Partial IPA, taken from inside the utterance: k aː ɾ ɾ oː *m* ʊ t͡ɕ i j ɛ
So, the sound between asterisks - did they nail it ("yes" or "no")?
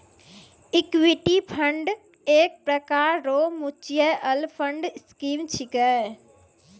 yes